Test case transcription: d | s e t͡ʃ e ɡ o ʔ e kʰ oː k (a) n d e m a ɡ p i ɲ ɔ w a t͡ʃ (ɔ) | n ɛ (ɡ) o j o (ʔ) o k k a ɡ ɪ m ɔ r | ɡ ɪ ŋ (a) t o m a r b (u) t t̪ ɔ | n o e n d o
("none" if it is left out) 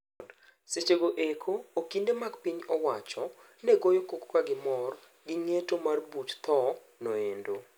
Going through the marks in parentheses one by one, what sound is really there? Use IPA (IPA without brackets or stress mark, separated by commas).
i, ɔ, ɡ, k, e, u